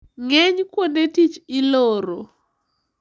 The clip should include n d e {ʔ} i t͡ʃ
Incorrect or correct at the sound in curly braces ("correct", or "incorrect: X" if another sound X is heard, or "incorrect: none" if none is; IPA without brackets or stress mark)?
incorrect: t